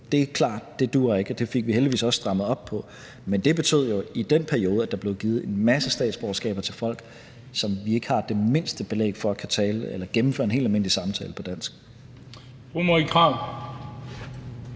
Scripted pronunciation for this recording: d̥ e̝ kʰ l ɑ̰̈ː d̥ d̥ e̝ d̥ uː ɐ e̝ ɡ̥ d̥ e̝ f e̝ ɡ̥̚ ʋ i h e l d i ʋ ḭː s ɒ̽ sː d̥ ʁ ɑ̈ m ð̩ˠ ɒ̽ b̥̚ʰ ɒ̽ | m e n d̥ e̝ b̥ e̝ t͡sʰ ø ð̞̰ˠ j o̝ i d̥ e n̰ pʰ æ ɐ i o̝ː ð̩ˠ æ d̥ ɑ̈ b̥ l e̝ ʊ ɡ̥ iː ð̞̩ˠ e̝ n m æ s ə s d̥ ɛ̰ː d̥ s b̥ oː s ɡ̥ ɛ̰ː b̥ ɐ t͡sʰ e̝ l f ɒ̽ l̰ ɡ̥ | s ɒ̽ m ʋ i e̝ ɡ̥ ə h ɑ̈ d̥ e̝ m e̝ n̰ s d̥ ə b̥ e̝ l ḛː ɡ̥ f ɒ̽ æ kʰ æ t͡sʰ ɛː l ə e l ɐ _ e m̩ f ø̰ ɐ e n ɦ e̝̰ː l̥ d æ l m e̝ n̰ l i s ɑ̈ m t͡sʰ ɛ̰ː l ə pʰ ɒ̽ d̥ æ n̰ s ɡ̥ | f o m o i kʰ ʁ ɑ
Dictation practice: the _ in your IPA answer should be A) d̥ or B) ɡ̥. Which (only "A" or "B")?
B